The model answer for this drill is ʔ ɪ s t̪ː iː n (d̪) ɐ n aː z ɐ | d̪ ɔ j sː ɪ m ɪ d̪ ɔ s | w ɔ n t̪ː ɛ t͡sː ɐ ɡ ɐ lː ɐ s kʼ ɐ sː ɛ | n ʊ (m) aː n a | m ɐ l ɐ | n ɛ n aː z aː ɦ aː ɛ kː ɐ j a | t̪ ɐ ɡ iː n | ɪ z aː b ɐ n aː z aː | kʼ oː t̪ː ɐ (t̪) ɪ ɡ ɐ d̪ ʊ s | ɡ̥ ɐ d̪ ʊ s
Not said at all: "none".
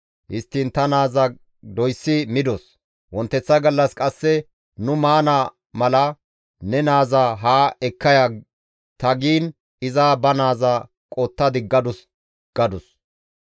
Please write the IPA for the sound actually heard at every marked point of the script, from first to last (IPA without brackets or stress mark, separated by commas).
t̪, m, d̪